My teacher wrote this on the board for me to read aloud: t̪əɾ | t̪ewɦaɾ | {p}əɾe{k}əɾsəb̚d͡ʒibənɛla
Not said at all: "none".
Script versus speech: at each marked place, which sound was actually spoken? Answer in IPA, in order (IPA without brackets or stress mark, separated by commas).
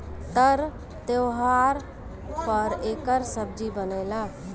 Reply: p, k